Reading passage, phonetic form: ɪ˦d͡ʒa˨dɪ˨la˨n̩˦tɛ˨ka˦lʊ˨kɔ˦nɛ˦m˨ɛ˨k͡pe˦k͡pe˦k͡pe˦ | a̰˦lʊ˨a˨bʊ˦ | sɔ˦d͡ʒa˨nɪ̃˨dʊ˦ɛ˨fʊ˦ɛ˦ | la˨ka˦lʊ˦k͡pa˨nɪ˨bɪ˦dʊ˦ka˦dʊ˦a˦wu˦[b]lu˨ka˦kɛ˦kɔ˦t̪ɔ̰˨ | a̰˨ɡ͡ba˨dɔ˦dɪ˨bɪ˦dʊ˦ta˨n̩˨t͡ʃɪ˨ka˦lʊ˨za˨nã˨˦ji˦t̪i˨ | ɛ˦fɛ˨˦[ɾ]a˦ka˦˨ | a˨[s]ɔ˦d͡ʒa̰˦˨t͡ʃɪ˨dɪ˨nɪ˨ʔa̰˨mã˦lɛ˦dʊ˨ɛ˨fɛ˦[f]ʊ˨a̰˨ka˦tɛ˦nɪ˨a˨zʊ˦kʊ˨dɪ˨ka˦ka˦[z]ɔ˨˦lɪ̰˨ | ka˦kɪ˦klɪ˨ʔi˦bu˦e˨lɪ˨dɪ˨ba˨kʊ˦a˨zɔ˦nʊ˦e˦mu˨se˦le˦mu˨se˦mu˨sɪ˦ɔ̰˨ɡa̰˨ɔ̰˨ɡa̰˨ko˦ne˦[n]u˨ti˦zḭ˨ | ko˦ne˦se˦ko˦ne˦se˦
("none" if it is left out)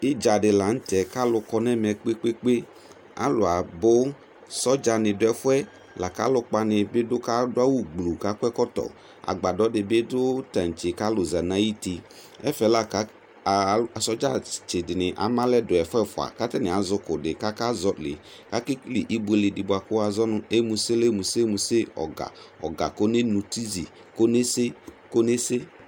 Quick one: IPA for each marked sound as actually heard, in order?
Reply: ɡ͡b, l, s, f, z, n

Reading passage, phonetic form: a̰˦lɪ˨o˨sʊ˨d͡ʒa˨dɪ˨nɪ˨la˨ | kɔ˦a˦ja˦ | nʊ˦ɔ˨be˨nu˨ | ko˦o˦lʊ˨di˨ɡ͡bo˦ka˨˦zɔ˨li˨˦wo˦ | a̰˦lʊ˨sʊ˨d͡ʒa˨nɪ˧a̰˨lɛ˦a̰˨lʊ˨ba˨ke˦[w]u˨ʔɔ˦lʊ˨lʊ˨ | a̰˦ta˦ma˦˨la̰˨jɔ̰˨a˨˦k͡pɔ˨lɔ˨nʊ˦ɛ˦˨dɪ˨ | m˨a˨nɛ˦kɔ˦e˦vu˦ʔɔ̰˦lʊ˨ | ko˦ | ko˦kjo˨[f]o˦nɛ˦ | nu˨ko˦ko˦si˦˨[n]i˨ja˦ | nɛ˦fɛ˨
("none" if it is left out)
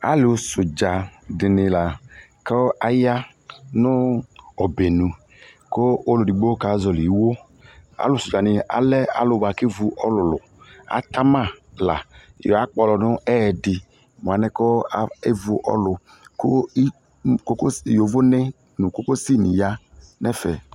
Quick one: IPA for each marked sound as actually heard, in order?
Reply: v, v, n

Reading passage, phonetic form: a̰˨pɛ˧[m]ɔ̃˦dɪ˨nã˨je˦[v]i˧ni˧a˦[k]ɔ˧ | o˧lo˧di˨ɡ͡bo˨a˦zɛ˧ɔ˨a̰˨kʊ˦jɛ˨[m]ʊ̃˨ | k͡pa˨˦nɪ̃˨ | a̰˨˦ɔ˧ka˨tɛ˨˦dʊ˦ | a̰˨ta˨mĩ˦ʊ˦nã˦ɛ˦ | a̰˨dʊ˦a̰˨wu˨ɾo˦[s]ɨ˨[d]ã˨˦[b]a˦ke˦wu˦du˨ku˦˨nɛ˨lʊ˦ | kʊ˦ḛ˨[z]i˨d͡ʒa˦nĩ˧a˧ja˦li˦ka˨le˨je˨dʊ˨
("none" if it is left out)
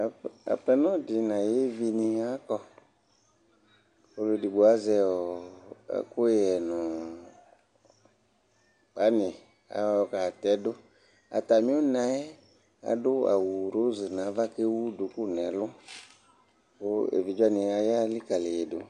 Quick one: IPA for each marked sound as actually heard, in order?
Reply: n, v, k, n, z, n, v, v

